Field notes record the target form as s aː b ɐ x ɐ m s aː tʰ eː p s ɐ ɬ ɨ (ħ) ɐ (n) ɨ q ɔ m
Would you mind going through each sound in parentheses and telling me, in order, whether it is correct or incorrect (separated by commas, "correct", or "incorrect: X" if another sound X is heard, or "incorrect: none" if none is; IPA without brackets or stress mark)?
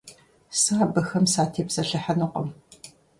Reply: correct, correct